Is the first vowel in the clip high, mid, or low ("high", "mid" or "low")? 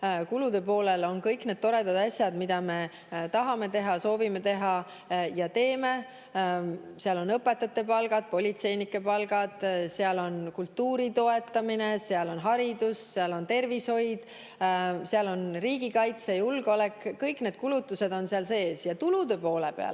high